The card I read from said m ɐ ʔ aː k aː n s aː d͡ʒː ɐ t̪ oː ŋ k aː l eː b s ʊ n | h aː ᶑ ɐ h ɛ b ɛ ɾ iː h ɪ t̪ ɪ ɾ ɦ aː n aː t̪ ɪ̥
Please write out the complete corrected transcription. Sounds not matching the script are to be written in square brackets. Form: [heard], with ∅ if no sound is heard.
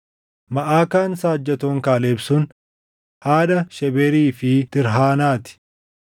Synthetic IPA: m ɐ ʔ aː k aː n s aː d͡ʒː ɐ t̪ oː ŋ k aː l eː b s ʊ n | h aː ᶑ ɐ [ʃ] ɛ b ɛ ɾ iː [f] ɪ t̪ ɪ ɾ ɦ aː n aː t̪ ɪ̥